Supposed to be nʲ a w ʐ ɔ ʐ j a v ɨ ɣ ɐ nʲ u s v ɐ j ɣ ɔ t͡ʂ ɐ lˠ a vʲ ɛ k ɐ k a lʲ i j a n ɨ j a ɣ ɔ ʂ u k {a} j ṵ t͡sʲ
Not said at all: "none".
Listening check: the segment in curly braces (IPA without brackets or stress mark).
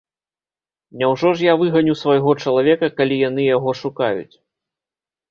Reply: a